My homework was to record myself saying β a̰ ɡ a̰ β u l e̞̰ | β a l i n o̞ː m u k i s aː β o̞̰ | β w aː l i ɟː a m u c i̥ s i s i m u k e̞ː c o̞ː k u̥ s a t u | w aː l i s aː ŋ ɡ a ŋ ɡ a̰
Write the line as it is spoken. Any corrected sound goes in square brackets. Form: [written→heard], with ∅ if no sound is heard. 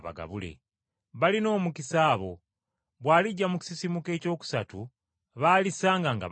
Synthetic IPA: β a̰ ɡ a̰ β u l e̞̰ | β a l i n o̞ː m u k i s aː β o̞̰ | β w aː l i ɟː a m u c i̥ s i s i m u k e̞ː c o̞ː k u̥ s a t u | [w→β] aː l i s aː ŋ ɡ a ŋ ɡ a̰